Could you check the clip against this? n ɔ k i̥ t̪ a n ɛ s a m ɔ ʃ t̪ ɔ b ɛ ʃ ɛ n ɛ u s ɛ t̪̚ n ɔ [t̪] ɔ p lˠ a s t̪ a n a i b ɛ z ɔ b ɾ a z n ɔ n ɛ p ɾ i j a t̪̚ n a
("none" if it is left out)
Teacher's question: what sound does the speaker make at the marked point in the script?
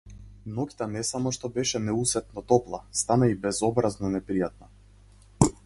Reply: t̪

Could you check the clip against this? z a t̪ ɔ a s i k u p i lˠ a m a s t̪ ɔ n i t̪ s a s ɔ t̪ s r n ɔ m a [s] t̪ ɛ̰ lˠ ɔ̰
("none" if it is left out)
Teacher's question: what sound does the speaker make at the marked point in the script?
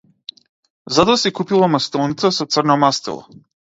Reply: s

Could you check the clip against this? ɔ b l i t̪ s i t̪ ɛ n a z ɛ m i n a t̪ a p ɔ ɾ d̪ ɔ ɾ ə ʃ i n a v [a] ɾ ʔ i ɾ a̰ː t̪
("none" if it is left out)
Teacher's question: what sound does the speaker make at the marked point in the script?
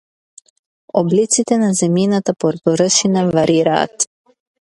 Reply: a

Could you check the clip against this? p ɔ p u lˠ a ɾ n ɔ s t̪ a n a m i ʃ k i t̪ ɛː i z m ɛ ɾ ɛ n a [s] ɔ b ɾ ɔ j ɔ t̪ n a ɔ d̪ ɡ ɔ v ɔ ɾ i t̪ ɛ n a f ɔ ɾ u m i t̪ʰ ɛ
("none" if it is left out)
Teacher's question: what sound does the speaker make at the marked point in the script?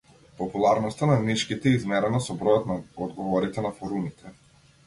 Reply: s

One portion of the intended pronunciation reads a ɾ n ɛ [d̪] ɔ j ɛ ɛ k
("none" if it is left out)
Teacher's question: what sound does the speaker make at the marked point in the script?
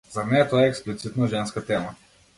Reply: t̪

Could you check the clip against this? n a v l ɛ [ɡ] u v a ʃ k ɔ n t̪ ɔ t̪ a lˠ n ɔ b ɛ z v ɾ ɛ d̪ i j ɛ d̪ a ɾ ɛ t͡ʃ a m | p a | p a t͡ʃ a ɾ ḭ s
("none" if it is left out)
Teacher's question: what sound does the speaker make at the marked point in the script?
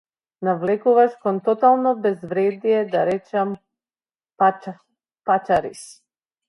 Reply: k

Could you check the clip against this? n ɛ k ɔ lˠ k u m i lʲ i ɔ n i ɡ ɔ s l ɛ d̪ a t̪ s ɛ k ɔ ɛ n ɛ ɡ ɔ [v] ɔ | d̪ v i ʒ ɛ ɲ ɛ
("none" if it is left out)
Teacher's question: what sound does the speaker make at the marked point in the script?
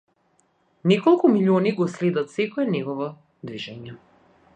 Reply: v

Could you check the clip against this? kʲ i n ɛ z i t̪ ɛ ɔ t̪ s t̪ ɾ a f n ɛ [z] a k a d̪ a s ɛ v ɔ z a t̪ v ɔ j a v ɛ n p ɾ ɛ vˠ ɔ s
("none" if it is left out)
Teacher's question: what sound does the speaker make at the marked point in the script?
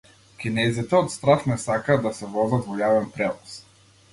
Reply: s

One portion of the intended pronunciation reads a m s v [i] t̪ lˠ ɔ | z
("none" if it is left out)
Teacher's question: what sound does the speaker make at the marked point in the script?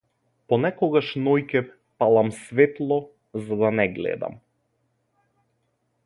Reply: ɛ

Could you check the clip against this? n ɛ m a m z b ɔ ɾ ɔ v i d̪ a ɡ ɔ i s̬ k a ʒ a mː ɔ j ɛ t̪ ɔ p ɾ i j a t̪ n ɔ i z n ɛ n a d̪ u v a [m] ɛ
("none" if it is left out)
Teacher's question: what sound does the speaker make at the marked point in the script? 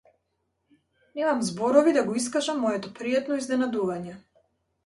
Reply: ɲ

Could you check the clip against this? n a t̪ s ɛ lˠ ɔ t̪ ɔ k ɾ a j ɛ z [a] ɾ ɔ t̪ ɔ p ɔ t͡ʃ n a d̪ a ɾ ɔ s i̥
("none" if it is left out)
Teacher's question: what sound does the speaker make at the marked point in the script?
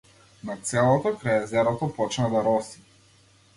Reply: ɛ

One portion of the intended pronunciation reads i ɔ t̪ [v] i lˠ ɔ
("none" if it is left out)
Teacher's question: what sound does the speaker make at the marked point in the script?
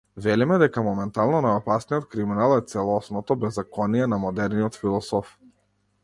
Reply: f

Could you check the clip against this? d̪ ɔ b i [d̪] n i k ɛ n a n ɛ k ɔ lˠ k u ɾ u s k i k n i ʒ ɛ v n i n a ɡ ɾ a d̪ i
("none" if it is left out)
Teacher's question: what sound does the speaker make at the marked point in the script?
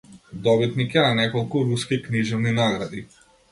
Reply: t̪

